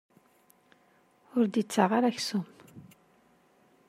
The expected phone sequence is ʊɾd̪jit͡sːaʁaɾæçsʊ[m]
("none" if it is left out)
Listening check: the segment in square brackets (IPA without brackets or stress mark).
m